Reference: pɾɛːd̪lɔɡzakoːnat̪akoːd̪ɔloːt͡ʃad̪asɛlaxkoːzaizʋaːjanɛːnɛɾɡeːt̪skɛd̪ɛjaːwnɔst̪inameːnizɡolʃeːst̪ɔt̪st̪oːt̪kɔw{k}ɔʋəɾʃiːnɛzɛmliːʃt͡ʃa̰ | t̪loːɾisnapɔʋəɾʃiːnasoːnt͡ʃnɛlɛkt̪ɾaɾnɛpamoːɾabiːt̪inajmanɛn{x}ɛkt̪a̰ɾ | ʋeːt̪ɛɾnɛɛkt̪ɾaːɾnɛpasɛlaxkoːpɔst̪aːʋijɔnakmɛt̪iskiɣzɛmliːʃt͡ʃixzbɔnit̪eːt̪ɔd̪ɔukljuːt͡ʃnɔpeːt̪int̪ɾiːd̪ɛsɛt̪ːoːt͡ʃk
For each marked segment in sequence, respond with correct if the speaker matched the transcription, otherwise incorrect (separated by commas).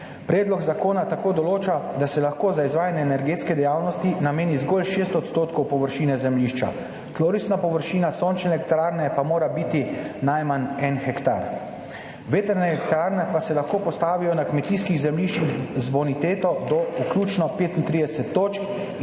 incorrect, correct